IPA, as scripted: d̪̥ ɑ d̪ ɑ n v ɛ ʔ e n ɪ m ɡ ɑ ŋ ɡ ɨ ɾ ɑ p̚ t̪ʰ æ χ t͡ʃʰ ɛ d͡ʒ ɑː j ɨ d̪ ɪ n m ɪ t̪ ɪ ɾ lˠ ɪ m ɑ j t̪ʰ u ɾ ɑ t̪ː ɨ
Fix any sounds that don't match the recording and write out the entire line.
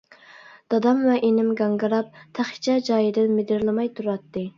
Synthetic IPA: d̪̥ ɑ d̪ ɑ m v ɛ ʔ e n ɪ m ɡ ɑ ŋ ɡ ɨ ɾ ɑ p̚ t̪ʰ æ χ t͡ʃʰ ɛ d͡ʒ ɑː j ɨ d̪ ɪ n m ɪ d̪ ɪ ɾ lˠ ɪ m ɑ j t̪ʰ u ɾ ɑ t̪ː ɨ